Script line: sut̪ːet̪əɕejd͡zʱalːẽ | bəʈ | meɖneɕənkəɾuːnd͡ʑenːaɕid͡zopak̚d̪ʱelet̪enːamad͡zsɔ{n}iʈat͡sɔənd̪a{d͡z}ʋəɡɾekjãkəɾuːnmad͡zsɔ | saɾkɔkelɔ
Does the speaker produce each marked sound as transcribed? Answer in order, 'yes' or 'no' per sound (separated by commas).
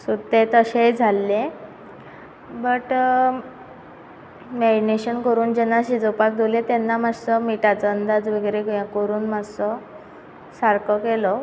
no, yes